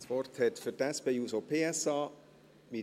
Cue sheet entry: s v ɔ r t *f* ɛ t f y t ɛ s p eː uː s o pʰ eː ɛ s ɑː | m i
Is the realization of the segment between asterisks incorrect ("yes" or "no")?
yes